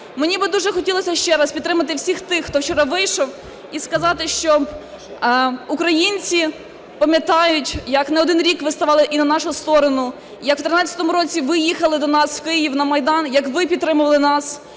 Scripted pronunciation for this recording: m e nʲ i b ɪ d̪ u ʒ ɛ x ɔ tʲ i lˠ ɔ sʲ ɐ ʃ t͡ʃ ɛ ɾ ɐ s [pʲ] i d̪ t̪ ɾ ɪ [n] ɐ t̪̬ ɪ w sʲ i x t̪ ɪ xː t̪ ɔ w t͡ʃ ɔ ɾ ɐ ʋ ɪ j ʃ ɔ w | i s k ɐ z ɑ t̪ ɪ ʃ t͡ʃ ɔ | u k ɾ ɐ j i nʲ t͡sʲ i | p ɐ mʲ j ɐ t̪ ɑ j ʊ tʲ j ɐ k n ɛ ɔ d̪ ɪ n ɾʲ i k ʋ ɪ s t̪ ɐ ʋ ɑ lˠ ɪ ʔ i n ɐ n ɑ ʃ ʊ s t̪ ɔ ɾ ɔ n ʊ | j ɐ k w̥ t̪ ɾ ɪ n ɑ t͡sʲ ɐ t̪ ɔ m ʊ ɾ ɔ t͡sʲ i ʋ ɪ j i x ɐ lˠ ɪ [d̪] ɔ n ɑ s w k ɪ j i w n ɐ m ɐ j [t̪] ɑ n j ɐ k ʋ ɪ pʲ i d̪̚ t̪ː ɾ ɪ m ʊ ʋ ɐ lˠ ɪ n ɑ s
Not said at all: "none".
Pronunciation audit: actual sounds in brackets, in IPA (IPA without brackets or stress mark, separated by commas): pʲ, m, d̪, d̪